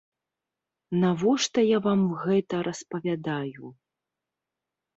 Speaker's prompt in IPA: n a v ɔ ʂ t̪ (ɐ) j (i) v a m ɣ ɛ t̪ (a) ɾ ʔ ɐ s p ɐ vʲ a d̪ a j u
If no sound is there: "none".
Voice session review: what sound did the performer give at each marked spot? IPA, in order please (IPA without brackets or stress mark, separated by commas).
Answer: ɐ, a, ɐ